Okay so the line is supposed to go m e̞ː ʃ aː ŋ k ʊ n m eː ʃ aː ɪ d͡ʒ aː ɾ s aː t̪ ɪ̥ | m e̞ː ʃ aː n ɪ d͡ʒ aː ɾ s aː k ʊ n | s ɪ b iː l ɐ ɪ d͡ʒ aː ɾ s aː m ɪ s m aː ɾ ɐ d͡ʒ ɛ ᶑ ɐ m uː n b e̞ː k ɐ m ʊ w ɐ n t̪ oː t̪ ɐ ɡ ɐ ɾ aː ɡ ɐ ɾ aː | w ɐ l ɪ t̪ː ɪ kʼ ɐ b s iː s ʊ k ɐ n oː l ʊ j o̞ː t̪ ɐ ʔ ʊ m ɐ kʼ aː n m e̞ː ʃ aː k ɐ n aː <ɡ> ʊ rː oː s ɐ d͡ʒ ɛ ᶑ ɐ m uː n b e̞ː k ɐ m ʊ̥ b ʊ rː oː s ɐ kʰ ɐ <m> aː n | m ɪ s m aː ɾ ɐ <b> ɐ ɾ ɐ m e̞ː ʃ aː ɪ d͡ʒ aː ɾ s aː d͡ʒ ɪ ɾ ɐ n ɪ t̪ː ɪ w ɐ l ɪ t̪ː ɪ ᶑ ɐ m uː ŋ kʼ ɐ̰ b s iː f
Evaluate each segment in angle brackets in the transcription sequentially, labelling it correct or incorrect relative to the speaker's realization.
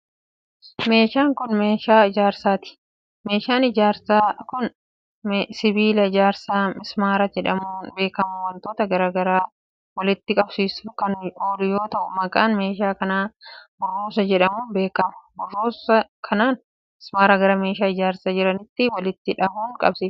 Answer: incorrect: b, incorrect: n, incorrect: ɡ

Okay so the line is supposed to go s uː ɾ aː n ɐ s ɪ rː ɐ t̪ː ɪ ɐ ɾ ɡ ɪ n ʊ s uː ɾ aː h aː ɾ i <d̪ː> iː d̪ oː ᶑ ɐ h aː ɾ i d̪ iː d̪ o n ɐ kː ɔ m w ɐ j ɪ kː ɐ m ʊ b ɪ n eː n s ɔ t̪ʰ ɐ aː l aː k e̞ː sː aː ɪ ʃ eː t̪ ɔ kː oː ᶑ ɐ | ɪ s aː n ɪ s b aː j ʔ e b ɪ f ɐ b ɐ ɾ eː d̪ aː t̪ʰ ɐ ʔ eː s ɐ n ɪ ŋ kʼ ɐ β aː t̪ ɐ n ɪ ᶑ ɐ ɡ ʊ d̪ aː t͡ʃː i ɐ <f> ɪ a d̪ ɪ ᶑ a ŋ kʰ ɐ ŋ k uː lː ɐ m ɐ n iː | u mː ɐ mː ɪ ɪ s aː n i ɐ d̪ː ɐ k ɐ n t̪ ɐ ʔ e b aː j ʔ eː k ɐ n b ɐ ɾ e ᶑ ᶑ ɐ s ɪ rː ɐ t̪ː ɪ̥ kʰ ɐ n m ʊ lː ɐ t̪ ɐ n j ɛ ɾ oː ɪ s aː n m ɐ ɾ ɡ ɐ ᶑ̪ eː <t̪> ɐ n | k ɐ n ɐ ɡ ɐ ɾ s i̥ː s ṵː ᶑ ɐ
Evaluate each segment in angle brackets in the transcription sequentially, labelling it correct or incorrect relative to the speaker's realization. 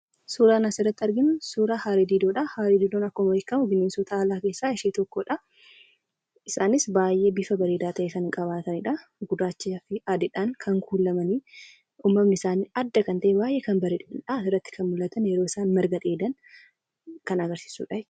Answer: incorrect: d̪, correct, incorrect: d̪

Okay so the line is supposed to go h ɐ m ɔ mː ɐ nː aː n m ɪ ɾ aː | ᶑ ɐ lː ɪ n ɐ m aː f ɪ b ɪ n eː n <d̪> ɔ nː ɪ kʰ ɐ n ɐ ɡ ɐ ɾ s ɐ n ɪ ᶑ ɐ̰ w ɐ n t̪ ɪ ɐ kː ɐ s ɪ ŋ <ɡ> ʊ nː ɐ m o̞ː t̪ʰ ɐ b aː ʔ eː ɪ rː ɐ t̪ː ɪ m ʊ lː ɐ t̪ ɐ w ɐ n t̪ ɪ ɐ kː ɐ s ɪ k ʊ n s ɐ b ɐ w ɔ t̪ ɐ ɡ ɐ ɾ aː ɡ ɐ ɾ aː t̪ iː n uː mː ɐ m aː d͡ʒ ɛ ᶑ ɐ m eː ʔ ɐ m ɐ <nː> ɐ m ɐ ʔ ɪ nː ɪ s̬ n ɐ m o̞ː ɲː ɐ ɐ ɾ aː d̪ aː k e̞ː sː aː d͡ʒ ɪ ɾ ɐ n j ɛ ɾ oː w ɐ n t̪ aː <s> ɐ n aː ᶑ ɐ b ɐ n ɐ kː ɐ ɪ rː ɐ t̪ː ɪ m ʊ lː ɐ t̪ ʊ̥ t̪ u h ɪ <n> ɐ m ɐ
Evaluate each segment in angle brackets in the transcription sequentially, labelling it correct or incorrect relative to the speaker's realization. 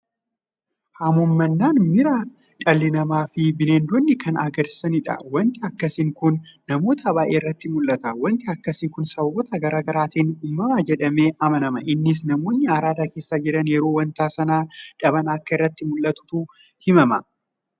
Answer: correct, incorrect: k, incorrect: n, correct, incorrect: m

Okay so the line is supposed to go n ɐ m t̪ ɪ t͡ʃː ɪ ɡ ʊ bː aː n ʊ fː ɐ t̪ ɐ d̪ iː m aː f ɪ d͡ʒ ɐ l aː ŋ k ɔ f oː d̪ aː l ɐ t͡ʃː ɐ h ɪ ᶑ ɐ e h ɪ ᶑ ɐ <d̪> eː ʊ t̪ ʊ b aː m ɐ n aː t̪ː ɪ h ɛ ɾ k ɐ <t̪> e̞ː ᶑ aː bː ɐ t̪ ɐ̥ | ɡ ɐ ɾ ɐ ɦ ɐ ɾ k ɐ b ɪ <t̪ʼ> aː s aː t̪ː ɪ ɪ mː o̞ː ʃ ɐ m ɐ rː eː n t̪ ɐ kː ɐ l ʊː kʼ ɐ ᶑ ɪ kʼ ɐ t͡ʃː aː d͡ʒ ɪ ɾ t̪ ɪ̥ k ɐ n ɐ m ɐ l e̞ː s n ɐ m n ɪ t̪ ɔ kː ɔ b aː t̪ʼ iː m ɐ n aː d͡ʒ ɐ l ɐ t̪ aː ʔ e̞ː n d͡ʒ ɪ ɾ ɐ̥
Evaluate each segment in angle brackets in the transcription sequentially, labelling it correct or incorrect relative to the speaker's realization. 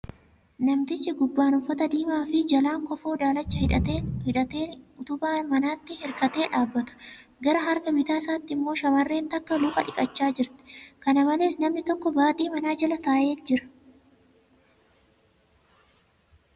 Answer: incorrect: t̪, correct, incorrect: t̪

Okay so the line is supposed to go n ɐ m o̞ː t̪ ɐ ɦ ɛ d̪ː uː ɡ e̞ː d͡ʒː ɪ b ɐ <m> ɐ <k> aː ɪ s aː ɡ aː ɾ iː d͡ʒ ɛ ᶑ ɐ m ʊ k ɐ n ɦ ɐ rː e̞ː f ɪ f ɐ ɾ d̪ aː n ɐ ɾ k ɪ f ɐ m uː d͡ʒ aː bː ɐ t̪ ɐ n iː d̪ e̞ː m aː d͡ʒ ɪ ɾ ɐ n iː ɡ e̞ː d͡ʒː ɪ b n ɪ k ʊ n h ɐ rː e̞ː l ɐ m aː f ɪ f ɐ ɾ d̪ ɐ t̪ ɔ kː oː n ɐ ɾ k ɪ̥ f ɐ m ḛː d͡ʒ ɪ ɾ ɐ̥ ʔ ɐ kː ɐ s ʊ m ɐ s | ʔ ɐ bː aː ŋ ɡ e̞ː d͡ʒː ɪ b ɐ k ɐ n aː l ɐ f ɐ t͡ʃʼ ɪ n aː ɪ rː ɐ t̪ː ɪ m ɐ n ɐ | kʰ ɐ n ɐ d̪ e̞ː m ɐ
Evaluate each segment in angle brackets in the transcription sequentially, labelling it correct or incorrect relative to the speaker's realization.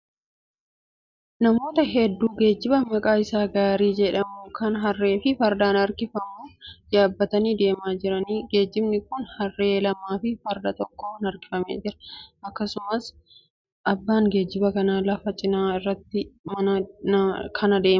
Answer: correct, incorrect: kʼ

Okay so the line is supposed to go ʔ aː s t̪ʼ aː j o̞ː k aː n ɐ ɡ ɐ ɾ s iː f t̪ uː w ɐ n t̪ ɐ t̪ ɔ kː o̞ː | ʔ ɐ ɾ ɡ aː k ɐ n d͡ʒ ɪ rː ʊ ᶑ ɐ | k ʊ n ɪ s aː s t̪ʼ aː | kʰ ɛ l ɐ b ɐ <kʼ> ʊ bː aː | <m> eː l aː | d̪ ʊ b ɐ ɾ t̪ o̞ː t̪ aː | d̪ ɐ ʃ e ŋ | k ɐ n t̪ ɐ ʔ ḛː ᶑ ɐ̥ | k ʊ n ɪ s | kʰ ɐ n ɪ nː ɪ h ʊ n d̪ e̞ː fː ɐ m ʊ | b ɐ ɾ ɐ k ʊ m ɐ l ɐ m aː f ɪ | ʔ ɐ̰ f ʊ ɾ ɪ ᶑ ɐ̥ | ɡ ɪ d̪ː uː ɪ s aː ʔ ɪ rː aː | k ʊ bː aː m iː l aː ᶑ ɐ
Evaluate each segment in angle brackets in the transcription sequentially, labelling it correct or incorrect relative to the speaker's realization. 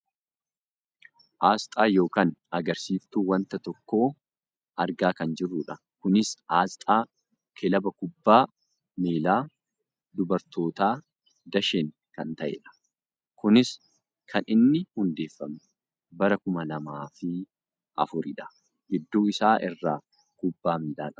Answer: incorrect: k, correct

